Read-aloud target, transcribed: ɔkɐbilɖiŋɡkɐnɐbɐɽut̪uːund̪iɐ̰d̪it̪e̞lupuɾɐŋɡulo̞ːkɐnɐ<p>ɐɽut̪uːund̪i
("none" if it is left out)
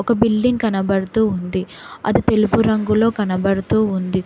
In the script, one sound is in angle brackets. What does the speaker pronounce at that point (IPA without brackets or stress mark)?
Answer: b